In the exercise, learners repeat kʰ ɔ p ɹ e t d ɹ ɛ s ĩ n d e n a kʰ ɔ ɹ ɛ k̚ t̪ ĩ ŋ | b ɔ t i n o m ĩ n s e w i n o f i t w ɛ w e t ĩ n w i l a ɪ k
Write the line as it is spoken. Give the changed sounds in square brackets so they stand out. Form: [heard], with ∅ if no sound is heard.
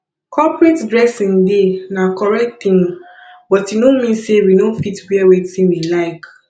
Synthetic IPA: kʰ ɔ p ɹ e t d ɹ ɛ s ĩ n d e n a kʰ ɔ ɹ ɛ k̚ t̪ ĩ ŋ | b ɔ t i n o m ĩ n s e w i n o f i t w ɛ w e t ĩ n w i l a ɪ k

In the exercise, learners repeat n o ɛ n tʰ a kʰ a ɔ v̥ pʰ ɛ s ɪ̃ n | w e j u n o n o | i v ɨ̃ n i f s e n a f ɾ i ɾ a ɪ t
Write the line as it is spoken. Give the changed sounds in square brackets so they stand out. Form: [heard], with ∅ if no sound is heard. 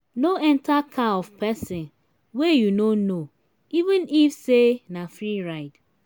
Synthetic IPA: n o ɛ n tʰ a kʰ a ɔ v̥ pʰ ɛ s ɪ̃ n | w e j u n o n o | i v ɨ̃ n i f s e n a f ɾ i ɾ a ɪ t

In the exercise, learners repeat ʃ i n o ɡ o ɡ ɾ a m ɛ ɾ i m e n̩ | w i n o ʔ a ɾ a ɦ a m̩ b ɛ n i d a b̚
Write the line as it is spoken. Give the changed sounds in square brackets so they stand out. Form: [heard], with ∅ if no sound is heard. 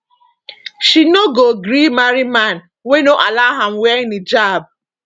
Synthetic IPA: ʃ i n o ɡ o ɡ ɾ [i] m [a] ɾ i m [a] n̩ | w [e] n o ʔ a [l] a ɦ a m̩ [w] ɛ n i [d͡ʒ] a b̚

